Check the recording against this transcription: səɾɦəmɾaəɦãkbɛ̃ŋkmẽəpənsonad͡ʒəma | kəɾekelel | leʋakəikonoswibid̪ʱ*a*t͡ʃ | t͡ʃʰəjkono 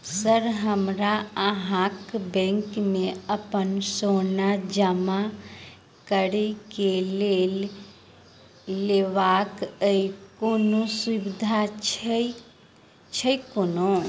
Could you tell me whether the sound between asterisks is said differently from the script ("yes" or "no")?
no